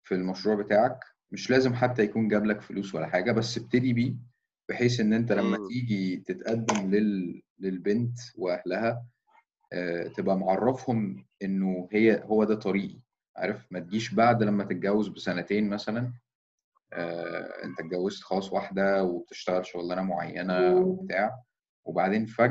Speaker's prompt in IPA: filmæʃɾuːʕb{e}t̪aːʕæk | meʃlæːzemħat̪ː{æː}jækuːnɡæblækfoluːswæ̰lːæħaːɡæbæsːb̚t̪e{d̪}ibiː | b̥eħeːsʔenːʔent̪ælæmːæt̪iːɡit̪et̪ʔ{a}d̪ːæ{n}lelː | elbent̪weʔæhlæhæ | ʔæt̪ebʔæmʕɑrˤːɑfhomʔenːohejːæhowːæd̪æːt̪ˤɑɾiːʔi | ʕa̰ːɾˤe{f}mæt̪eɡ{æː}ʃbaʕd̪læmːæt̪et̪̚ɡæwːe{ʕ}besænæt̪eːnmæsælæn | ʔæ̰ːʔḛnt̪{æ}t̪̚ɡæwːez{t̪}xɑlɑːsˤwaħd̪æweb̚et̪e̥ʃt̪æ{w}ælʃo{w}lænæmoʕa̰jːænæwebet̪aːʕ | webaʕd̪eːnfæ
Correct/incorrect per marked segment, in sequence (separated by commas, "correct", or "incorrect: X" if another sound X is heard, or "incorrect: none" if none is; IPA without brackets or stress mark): correct, incorrect: æ, correct, incorrect: æ, incorrect: m, correct, incorrect: iː, incorrect: z, correct, correct, incorrect: ɣ, incorrect: ɣ